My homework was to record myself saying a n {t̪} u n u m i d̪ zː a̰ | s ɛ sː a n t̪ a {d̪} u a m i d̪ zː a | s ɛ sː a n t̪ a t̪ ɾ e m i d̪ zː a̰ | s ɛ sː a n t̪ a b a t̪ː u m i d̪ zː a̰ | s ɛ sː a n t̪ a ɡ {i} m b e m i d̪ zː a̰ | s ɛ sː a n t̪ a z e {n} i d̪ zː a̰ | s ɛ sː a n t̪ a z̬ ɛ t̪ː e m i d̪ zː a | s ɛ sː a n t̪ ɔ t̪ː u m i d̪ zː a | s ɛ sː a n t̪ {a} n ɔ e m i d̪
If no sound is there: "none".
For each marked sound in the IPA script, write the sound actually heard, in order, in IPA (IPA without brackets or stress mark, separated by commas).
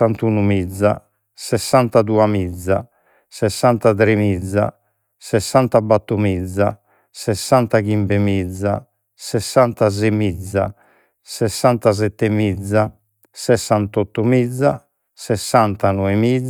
t̪, d̪, i, m, a